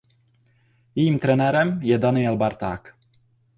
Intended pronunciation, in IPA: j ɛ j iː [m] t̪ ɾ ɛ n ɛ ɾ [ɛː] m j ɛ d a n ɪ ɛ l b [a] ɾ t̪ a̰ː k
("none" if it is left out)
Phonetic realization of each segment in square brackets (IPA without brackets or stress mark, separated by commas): m, ɛ, a